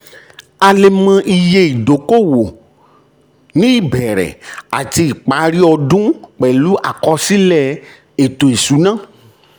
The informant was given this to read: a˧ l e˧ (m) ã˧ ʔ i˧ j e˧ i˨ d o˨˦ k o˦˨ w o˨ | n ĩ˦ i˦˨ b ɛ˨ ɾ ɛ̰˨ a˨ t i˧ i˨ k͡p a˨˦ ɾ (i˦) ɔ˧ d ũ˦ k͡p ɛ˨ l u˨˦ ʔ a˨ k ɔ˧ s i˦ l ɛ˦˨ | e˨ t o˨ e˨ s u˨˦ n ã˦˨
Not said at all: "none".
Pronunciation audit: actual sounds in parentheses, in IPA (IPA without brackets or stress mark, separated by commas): m, i˦